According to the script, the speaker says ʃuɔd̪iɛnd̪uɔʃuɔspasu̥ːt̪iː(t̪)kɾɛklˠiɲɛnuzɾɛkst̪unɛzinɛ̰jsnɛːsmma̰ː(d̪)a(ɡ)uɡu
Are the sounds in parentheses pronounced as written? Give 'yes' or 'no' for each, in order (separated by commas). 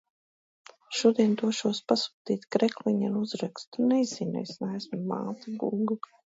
yes, no, yes